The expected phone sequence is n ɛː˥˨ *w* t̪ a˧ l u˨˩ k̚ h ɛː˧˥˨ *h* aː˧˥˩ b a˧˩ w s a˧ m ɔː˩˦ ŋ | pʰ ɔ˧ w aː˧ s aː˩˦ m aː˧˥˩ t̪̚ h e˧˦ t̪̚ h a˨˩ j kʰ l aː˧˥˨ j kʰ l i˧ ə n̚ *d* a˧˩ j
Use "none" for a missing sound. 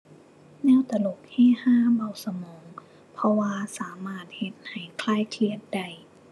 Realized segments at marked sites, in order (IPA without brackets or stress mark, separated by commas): w, h, d